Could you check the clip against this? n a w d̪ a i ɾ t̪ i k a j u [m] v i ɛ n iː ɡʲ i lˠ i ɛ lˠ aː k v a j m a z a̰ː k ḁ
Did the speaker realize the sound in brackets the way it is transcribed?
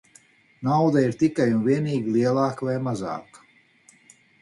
no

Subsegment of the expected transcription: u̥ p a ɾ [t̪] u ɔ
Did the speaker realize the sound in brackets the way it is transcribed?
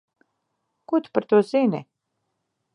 yes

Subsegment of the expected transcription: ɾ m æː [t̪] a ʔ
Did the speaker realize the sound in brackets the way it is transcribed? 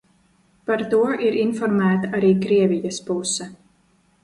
yes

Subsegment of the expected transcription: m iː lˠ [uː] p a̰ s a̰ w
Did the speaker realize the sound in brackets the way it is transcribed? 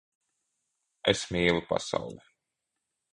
no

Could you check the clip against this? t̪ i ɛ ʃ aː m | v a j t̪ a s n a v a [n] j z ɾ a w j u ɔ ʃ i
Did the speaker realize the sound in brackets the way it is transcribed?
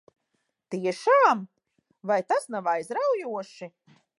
no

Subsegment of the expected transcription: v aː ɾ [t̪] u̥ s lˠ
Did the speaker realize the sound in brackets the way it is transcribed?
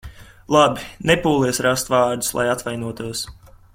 no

